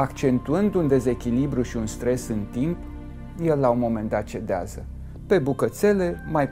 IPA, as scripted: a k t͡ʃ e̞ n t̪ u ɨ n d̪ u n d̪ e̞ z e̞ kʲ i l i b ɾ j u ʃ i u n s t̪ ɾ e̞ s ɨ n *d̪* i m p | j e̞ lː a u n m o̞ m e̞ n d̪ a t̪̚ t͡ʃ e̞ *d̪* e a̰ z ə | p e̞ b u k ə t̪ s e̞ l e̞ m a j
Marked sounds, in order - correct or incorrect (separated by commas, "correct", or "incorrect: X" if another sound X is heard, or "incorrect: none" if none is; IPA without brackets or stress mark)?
incorrect: t̪, correct